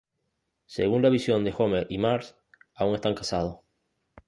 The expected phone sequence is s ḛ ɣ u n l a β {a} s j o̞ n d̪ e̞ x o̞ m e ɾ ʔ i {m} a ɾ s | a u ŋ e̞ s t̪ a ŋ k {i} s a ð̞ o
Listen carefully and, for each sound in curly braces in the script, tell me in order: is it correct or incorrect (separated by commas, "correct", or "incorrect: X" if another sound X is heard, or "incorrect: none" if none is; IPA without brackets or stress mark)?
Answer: incorrect: i, correct, incorrect: a